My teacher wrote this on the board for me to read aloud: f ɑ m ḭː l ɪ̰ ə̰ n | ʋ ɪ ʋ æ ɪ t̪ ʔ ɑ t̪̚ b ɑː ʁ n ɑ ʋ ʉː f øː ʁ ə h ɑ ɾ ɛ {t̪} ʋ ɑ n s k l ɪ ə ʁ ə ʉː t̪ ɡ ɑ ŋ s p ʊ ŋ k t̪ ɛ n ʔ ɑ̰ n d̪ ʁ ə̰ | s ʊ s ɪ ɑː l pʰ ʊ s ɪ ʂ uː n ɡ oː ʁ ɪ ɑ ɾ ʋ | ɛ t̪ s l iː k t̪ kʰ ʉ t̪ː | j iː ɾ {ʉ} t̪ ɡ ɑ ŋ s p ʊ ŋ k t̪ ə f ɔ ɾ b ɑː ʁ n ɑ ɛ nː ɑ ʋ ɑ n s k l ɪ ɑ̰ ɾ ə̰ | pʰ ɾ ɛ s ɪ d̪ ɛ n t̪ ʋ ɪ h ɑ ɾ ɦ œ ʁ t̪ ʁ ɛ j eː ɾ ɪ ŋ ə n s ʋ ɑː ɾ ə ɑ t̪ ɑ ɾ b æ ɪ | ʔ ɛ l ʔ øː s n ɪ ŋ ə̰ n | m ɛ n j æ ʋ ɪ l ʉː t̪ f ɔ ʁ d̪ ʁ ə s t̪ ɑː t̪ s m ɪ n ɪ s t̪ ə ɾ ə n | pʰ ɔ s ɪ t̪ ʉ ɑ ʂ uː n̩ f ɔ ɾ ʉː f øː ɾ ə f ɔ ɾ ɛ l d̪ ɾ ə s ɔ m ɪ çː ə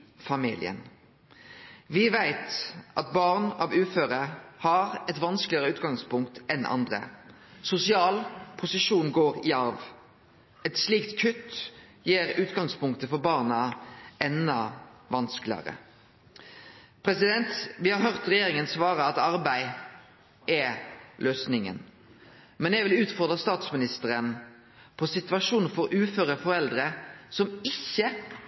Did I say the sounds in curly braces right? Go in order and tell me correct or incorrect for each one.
correct, incorrect: ʉː

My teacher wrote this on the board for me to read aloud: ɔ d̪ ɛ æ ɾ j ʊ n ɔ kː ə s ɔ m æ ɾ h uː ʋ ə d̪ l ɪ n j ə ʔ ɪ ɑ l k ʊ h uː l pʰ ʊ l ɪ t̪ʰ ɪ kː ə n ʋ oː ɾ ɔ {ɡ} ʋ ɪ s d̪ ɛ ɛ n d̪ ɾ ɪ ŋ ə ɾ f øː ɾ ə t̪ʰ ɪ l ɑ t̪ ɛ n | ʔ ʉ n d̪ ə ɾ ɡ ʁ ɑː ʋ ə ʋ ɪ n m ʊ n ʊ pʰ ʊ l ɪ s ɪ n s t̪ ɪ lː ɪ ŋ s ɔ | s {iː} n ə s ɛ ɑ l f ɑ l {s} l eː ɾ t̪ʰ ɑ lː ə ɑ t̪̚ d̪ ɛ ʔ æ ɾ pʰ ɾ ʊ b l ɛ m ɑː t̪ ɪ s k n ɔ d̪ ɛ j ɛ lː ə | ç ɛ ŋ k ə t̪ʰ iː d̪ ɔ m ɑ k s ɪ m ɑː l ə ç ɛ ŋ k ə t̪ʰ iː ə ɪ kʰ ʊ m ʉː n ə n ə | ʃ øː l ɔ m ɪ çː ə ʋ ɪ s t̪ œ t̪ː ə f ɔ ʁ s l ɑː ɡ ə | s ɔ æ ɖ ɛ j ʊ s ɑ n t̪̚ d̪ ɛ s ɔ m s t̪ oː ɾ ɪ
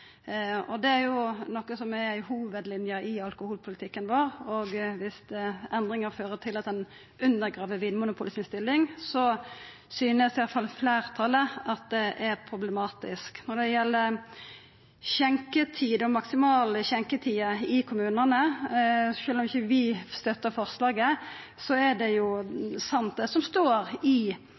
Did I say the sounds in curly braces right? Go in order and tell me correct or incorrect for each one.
correct, incorrect: yː, incorrect: f

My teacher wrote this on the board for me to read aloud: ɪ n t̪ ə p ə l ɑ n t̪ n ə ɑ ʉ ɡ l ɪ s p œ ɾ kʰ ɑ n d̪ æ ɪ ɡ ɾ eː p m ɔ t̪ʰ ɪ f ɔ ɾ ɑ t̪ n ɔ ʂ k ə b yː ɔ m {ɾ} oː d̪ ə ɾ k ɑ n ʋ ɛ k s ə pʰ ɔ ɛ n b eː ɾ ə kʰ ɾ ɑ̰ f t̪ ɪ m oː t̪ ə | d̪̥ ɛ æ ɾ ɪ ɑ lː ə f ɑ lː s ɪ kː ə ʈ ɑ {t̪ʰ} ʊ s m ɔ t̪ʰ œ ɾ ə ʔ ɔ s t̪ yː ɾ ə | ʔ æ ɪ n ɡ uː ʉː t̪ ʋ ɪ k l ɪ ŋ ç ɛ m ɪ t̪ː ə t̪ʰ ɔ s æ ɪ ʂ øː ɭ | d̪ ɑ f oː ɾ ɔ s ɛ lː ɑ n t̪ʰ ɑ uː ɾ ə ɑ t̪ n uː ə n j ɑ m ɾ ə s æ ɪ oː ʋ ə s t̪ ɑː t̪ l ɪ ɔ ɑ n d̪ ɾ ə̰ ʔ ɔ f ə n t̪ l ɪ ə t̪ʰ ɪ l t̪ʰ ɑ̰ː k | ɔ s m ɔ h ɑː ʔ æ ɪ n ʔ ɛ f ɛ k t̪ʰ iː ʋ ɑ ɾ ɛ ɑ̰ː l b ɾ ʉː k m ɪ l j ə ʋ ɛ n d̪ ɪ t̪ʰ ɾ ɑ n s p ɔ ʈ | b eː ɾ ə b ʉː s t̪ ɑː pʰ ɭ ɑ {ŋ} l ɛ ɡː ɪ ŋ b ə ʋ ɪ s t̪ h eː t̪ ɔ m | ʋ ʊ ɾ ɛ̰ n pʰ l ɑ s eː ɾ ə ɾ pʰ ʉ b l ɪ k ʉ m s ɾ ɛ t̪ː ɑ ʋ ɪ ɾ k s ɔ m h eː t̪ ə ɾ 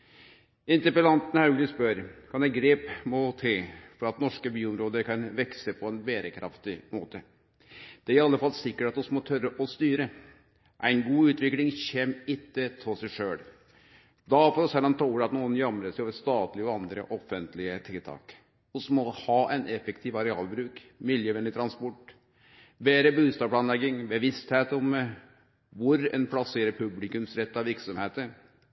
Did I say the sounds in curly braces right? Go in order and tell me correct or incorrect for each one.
correct, incorrect: t̪, incorrect: n

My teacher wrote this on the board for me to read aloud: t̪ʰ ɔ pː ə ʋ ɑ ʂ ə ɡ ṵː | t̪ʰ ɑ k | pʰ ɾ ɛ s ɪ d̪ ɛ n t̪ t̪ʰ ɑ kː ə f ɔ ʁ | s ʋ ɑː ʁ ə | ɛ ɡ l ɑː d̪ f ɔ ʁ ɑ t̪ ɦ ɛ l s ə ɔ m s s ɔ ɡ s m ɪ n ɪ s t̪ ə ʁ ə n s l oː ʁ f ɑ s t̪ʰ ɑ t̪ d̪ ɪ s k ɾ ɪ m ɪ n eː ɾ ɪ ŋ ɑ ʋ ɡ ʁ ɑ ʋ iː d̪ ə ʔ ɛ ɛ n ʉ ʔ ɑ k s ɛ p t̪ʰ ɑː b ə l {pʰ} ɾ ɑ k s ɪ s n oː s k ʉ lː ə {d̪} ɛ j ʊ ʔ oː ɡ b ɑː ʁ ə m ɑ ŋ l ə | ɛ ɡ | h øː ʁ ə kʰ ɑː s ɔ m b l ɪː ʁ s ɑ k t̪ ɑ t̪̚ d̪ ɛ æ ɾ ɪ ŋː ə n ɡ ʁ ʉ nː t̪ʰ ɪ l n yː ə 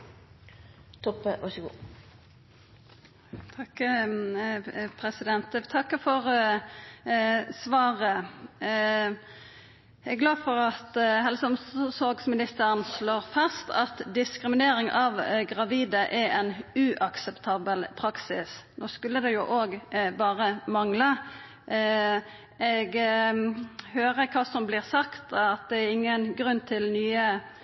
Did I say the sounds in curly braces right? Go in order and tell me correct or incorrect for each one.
correct, correct

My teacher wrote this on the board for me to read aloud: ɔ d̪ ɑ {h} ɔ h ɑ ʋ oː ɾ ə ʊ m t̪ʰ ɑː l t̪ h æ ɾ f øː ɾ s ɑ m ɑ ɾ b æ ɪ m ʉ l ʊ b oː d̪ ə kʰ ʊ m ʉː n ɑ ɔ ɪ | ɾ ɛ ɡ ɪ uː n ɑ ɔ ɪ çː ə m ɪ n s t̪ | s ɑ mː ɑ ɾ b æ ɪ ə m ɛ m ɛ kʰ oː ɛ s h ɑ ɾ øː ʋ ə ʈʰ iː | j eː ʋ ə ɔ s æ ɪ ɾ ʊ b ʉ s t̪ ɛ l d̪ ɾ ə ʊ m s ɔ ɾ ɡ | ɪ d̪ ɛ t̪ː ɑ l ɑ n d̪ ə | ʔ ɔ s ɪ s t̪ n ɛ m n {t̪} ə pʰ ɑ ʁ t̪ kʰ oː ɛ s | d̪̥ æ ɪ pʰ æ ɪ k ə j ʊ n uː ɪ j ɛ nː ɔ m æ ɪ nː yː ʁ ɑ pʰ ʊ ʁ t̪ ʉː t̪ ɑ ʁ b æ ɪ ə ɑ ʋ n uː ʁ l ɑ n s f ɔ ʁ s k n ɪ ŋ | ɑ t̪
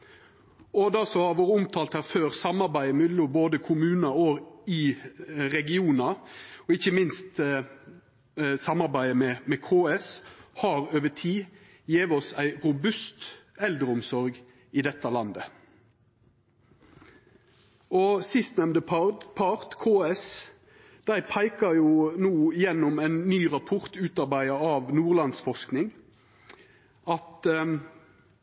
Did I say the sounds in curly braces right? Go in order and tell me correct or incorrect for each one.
incorrect: s, incorrect: d̪

